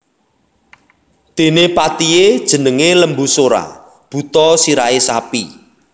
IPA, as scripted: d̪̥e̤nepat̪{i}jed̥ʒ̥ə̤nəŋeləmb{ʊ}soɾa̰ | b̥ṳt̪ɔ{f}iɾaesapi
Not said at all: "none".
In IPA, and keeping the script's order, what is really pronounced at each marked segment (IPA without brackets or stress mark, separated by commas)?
i, u, s